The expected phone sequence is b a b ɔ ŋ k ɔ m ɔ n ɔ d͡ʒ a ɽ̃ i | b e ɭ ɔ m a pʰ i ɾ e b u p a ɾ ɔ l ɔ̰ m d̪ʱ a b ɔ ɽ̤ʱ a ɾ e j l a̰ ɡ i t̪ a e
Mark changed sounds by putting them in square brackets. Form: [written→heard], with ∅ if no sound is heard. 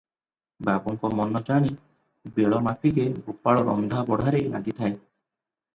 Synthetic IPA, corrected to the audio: b a b ɔ ŋ k ɔ m ɔ n ɔ d͡ʒ a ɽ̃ i | b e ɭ ɔ m a pʰ i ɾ e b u p a [ɾ→ɭ] ɔ [l→ɾ] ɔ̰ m d̪ʱ a b ɔ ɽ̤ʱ a ɾ e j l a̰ ɡ i [t̪→t̪ʰ] a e